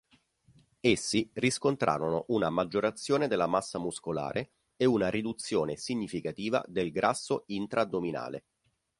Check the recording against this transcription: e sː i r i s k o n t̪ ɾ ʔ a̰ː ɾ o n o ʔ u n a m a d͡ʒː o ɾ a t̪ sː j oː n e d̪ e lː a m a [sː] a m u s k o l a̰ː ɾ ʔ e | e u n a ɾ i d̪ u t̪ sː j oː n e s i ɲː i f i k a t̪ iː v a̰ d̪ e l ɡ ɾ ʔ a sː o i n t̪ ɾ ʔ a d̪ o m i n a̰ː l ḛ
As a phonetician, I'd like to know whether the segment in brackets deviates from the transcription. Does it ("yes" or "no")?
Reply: no